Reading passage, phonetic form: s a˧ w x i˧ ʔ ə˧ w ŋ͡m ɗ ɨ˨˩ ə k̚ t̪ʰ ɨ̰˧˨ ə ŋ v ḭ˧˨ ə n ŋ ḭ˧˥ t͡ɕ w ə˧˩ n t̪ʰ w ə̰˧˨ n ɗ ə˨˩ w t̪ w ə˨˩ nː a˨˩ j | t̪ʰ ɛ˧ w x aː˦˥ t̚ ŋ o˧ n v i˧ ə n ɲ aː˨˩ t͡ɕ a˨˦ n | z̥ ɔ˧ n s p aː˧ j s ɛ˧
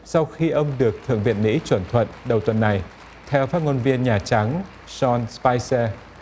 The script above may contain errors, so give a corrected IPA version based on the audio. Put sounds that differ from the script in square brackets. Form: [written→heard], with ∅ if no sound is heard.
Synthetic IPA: s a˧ w x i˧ ʔ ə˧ w ŋ͡m ɗ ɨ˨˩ ə k̚ t̪ʰ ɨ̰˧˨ ə ŋ v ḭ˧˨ ə n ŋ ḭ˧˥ t͡ɕ w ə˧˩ n t̪ʰ w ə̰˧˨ n ɗ ə˨˩ w t̪ w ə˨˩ nː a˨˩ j | t̪ʰ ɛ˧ w [x→f] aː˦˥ t̚ ŋ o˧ n v i˧ ə n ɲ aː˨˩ t͡ɕ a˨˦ [n→ŋ] | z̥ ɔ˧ n s p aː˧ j s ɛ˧